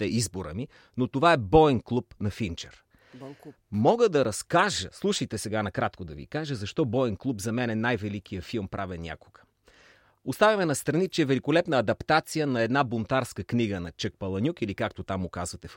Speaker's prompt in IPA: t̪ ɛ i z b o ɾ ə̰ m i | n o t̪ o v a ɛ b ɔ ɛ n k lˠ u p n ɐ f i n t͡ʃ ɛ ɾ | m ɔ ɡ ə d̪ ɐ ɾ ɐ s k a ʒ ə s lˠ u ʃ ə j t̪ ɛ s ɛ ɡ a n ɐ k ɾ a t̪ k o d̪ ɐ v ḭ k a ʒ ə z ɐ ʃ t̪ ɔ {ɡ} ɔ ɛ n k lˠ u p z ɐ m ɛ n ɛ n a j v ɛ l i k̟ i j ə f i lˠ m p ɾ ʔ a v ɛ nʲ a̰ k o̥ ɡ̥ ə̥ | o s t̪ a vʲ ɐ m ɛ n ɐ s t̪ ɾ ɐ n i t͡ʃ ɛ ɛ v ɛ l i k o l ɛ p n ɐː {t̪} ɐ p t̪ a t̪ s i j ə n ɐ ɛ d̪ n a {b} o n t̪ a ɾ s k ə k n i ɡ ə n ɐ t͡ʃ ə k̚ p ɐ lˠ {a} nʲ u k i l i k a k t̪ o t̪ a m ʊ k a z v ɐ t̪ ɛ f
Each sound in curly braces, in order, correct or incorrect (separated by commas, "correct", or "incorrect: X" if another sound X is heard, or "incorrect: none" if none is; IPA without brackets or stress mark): incorrect: b, incorrect: d̪, correct, incorrect: ɐ